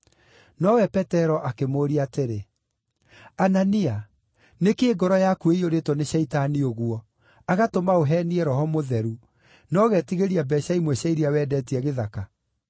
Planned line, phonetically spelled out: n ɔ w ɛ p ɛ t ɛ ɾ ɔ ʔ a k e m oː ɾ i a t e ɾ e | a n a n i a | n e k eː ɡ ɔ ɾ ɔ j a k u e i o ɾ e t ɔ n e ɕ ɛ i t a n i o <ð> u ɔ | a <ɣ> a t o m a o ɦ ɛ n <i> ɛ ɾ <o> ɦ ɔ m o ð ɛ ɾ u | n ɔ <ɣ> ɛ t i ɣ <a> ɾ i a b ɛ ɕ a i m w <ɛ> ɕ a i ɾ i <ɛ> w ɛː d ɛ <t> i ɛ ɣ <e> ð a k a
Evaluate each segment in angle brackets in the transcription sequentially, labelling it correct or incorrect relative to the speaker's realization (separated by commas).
incorrect, correct, correct, incorrect, correct, incorrect, correct, incorrect, correct, correct